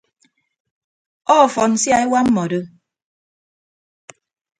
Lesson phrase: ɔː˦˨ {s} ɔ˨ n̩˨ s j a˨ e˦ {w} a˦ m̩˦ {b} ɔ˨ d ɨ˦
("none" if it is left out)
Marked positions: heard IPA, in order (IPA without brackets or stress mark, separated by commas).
f, w, m